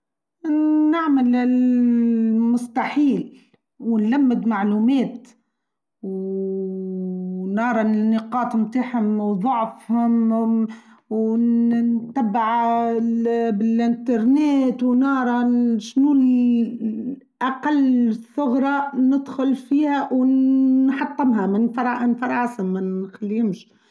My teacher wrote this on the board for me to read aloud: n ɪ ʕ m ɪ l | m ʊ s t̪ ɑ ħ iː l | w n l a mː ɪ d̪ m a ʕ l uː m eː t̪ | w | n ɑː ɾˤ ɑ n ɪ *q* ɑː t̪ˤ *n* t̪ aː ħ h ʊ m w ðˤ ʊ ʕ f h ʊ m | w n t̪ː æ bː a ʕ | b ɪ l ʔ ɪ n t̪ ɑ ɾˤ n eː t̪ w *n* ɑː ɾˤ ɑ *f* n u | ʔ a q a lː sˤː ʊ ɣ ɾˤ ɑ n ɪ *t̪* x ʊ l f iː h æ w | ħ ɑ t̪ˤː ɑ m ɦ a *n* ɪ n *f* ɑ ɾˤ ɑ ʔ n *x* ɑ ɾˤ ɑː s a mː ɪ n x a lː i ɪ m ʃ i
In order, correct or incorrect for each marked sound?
correct, incorrect, correct, incorrect, incorrect, incorrect, correct, incorrect

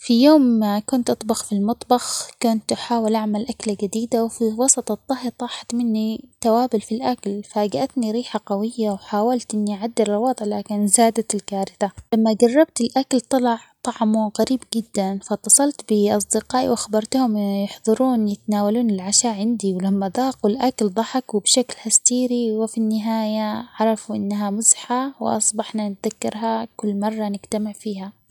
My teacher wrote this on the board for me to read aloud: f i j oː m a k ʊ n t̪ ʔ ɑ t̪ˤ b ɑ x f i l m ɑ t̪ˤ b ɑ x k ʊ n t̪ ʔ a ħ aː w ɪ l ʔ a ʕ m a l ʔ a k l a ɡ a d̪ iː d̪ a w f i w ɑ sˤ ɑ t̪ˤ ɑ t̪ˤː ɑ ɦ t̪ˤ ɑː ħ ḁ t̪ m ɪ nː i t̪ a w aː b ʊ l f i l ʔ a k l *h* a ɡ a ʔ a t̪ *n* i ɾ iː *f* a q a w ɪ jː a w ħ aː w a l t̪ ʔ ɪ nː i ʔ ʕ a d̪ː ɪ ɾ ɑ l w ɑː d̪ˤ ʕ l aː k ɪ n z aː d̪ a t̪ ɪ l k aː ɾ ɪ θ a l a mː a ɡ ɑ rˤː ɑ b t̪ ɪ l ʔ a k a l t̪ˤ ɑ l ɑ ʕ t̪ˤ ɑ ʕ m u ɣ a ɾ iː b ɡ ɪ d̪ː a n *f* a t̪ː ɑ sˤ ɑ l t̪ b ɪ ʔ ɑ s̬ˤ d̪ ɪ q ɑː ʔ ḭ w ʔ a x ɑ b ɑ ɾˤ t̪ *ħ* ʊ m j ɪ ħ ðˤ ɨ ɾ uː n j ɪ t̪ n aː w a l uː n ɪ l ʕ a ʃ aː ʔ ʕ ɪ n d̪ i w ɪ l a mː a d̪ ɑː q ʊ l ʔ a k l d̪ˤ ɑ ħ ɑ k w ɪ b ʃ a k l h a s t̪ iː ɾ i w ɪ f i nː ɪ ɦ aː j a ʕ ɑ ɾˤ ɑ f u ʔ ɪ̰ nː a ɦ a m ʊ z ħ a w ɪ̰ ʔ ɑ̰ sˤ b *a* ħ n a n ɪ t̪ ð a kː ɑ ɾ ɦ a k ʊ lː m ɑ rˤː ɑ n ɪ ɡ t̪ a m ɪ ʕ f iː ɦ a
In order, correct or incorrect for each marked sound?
incorrect, correct, incorrect, correct, incorrect, incorrect

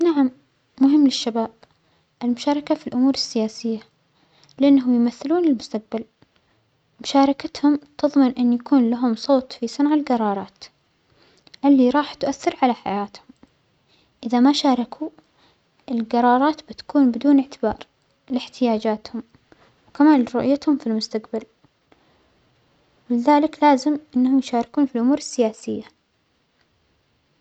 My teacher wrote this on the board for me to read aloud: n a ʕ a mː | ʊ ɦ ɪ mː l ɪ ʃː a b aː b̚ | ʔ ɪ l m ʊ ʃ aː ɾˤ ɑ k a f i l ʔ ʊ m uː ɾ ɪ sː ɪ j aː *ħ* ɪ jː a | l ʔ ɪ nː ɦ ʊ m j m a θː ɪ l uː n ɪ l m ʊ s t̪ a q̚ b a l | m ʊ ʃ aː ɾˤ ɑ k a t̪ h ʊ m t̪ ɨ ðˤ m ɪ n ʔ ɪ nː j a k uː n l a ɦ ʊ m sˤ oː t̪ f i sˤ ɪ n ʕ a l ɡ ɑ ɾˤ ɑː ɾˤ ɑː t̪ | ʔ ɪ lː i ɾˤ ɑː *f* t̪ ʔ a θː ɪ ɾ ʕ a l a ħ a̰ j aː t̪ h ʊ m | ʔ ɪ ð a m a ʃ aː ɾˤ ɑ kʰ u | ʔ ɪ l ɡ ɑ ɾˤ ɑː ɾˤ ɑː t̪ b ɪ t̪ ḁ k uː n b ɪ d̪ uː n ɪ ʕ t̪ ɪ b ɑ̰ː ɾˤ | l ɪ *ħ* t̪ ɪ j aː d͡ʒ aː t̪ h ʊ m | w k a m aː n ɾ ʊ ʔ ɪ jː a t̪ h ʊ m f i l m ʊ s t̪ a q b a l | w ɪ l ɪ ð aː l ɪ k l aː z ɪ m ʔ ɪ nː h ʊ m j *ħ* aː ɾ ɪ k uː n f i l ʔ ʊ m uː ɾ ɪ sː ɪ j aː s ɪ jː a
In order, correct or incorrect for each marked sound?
incorrect, incorrect, correct, incorrect

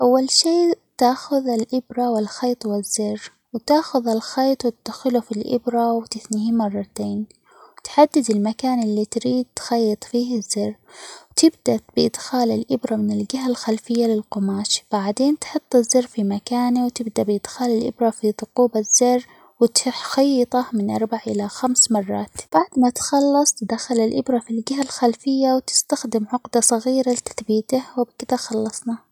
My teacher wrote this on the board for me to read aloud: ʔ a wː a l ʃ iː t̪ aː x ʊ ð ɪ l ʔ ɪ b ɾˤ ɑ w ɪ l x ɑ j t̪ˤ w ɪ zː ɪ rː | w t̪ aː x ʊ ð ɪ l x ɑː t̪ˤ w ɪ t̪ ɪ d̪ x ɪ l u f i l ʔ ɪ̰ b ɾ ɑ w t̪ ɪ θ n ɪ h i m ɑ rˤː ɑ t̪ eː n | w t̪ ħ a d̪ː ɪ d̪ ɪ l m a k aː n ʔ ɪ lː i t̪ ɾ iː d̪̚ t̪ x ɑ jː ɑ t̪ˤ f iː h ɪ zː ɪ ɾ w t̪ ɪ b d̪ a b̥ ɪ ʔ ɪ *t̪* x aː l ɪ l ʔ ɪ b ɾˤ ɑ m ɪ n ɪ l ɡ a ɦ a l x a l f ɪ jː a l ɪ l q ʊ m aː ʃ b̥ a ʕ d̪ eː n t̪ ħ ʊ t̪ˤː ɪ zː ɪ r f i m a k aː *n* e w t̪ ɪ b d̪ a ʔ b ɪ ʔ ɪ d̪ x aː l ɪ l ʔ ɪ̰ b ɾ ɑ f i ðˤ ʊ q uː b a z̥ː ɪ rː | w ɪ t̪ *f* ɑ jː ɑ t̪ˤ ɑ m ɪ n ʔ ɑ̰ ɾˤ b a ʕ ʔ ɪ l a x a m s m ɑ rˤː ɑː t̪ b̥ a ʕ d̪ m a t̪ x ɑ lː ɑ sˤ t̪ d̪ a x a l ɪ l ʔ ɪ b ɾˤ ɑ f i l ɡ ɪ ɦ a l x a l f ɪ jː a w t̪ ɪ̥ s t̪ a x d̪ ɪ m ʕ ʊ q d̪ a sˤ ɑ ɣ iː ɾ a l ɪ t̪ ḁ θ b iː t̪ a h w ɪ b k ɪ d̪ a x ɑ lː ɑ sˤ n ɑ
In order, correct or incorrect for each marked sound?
incorrect, correct, incorrect

